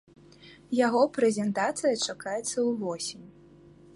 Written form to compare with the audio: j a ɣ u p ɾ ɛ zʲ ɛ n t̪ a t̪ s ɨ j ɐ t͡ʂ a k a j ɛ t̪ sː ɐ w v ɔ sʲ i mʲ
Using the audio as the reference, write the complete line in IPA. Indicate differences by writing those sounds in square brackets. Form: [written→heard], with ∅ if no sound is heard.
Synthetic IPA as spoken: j a ɣ [u→ɔ] p ɾ ɛ zʲ ɛ n t̪ a t̪ s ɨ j ɐ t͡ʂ a k a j ɛ t̪ sː ɐ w v ɔ sʲ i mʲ